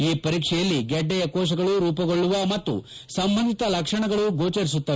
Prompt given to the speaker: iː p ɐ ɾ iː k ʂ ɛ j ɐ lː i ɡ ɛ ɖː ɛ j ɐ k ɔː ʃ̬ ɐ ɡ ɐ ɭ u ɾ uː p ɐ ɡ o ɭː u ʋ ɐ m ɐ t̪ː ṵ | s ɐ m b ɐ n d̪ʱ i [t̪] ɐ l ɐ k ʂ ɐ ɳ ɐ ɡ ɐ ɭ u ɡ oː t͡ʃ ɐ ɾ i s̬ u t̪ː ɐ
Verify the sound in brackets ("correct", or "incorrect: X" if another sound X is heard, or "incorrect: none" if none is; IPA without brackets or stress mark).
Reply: correct